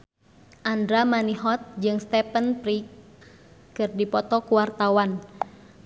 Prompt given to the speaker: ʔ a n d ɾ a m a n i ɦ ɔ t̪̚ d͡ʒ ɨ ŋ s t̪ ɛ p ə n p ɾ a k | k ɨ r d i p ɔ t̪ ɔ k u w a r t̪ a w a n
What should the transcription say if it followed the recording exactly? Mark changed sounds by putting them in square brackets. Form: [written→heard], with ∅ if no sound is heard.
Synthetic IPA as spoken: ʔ a n d ɾ a m a n i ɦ ɔ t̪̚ d͡ʒ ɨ ŋ s t̪ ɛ p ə n p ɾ [a→i] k | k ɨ r d i p ɔ t̪ ɔ k u w a r t̪ a w a n